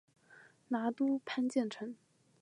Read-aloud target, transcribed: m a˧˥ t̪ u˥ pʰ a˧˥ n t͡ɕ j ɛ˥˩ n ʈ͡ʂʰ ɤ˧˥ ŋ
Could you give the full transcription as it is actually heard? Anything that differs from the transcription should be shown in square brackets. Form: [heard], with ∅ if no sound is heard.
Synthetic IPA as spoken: [n] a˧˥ t̪ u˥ pʰ [a˥] n t͡ɕ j ɛ˥˩ n ʈ͡ʂʰ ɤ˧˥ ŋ